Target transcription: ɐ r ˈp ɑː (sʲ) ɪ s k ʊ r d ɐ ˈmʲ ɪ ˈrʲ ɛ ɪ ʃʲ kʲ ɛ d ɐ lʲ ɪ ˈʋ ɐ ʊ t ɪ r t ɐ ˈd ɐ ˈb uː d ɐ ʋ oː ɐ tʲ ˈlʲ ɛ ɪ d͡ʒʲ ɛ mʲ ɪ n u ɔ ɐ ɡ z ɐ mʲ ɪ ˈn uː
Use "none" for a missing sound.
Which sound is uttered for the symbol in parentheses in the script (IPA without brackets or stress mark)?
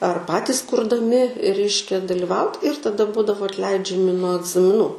tʲ